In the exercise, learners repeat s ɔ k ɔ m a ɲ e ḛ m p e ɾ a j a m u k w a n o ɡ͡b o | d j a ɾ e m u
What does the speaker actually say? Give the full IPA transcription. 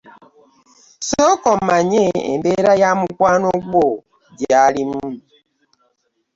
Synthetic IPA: s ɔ k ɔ m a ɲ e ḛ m b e ɾ a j a m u k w a n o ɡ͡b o | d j a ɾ i m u